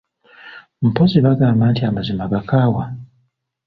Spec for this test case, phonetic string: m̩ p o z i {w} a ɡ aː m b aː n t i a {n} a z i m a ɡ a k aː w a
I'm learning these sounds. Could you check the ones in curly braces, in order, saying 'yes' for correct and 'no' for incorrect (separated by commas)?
no, no